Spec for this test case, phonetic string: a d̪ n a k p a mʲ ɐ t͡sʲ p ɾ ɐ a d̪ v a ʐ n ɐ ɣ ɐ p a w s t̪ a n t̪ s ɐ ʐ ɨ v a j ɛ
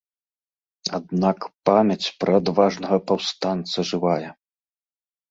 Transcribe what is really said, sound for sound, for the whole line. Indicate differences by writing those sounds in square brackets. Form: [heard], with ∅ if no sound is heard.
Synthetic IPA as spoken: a d̪ n a k p a mʲ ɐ t͡sʲ p ɾ ɐ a d̪ v a ʐ n ɐ ɣ ɐ p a w s t̪ a n t̪ s ɐ ʐ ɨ v a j ɛ